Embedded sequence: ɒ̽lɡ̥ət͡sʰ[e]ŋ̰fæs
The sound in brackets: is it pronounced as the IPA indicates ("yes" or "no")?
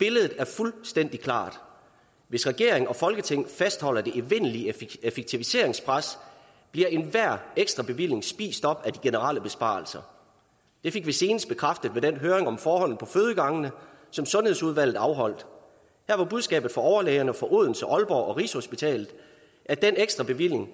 yes